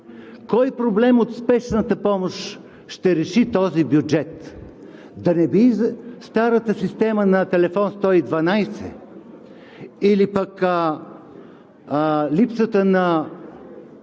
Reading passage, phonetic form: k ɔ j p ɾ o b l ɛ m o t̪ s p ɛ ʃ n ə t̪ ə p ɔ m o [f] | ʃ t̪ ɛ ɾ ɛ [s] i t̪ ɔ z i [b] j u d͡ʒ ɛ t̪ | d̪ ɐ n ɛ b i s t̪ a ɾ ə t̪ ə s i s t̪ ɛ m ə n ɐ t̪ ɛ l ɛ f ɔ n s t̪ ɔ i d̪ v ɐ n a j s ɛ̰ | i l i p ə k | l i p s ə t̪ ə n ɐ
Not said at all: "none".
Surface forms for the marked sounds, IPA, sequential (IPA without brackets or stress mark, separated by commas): ʃ, ʃ, b